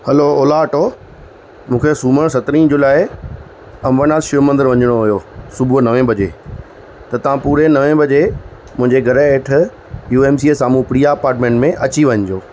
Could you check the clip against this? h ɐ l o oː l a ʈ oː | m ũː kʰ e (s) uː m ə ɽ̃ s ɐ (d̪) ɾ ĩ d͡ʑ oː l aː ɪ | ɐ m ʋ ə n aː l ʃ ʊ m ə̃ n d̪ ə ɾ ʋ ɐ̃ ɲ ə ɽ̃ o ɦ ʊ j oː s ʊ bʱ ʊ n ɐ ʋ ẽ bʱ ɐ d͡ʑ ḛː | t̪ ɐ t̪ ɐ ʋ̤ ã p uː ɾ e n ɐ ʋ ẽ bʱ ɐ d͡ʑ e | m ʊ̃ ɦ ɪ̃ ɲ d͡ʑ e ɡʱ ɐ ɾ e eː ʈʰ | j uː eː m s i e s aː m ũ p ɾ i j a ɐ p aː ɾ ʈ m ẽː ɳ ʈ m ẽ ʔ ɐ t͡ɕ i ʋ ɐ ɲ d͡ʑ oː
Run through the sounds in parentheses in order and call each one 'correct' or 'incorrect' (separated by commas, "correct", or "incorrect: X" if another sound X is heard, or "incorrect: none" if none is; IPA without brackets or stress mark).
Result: correct, incorrect: t̪